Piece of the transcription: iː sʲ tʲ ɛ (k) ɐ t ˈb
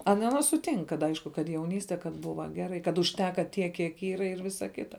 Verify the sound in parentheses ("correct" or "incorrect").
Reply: correct